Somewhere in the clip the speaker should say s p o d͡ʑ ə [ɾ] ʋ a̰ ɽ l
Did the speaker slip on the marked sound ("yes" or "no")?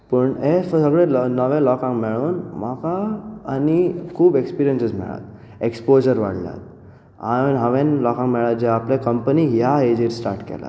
no